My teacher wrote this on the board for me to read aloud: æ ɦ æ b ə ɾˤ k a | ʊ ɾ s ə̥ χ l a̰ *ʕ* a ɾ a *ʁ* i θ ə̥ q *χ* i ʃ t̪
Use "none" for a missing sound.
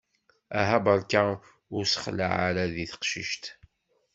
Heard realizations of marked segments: ʕ, ð, ʃ

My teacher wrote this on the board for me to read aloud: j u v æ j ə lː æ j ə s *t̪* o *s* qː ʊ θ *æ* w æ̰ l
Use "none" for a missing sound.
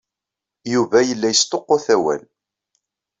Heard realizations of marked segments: t̪, none, æ

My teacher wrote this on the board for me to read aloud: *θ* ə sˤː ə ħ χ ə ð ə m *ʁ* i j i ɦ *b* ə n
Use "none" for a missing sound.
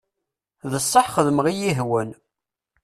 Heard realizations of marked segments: ð, ʁ, w

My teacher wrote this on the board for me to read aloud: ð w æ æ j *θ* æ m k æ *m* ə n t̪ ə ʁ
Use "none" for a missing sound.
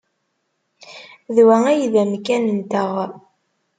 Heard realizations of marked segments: ð, n

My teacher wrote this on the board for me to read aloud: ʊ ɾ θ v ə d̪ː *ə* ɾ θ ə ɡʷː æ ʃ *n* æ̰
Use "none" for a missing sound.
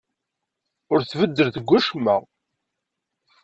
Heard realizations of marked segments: ə, m

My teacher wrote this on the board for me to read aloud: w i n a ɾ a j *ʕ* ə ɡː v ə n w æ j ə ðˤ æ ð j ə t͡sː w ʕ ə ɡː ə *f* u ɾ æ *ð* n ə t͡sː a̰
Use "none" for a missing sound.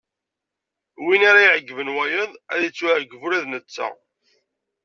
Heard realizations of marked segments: ʕ, v, ð

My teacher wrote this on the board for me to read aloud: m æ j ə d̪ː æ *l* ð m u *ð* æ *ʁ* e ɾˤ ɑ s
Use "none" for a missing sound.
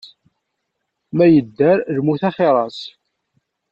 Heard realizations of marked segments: ɾ, θ, χ

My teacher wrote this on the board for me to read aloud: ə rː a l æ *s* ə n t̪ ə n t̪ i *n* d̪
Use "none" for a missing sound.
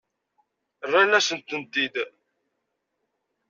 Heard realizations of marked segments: s, none

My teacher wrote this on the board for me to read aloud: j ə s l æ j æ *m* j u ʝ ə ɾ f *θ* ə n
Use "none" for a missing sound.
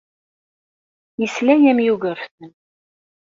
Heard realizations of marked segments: m, θ

